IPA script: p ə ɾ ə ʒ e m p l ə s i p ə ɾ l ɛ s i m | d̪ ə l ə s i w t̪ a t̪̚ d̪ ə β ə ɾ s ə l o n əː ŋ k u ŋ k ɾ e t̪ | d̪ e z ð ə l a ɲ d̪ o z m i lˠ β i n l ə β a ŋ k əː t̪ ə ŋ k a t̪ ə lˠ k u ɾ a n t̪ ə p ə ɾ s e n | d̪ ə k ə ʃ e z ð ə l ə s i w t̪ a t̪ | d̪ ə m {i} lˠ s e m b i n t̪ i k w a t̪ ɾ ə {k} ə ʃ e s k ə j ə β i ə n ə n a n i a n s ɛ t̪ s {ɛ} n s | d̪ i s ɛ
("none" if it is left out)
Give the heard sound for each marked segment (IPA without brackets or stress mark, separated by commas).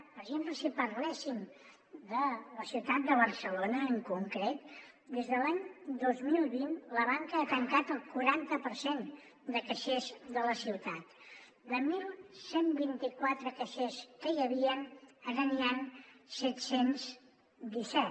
i, k, e